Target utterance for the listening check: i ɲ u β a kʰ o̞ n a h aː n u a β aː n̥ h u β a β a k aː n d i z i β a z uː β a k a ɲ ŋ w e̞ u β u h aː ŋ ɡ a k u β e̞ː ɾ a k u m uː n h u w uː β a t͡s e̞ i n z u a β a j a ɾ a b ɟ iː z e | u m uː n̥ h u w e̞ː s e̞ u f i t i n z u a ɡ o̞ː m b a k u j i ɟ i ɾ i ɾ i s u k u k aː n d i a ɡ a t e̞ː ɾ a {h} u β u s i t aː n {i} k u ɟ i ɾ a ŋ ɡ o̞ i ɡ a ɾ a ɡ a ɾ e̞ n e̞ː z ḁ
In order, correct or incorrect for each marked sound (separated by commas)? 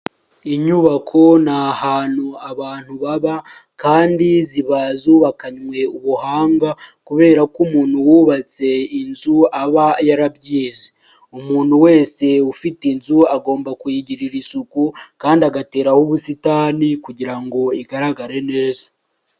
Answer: correct, correct